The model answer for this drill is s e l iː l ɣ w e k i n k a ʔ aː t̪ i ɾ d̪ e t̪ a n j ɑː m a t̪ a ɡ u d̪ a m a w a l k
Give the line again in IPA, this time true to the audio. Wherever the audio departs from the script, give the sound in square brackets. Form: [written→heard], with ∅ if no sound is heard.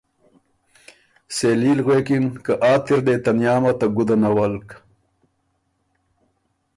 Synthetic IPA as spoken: s e l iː l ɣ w e k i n k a ʔ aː t̪ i ɾ d̪ e t̪ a n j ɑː m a t̪ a ɡ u d̪ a [m→n] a w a l k